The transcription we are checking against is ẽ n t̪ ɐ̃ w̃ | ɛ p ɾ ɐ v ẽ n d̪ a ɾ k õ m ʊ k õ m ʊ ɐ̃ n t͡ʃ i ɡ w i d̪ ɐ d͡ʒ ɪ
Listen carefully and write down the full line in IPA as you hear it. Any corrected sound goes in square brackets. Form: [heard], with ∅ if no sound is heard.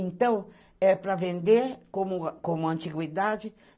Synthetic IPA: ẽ n t̪ ɐ̃ w̃ | ɛ p ɾ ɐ v ẽ n d̪ [e] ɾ k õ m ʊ k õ m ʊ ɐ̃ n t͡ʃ i ɡ w i d̪ [a] d͡ʒ ɪ